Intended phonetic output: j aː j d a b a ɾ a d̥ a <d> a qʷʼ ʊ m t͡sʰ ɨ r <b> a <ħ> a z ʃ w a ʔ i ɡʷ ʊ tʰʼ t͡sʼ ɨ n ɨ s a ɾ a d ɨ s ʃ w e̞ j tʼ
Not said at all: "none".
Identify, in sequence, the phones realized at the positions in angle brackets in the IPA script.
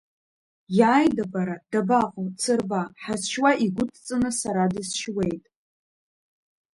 b, b, ħ

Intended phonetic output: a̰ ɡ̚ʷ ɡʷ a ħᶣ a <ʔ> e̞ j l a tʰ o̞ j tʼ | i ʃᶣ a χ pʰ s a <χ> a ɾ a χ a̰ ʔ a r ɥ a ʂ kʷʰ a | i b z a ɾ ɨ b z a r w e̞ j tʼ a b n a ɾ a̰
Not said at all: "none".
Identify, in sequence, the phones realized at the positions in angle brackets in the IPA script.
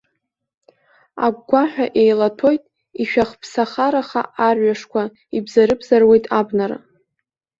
ʔ, χ

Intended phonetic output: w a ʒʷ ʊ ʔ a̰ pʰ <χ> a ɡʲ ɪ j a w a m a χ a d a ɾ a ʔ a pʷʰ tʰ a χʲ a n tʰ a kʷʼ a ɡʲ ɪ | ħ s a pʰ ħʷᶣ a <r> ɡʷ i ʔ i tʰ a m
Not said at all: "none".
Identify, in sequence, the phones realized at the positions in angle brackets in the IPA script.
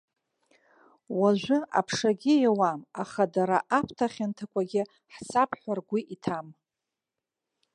ʂ, r

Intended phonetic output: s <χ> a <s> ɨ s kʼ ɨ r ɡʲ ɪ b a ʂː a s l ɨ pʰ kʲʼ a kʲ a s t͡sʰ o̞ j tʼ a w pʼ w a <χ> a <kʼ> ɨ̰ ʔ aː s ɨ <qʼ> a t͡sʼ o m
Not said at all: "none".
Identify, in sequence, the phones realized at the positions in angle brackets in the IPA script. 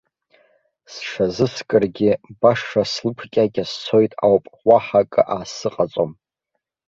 ʂ, z, ħ, kʼ, qʼ

